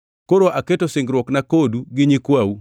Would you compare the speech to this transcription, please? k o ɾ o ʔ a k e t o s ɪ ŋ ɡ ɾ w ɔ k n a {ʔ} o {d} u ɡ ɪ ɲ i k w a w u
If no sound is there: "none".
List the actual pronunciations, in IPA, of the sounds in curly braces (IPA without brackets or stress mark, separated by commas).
k, d